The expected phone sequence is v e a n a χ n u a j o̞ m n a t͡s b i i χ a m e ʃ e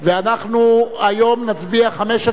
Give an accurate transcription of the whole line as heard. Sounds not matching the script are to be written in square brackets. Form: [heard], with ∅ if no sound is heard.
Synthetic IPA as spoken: v e a n a χ n u a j o̞ m n a t͡s b i [a] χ a m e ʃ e